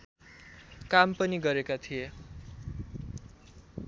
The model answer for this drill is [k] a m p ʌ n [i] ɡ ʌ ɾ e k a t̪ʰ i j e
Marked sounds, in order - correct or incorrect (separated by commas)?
correct, correct